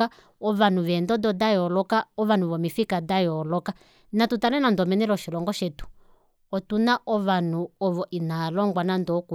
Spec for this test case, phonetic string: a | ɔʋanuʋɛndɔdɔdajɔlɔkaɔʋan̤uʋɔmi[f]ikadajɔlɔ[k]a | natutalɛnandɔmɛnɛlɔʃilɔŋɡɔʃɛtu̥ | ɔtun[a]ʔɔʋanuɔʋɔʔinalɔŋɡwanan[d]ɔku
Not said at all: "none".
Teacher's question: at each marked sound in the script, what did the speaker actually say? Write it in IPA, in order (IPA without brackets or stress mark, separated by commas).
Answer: f, k, a, d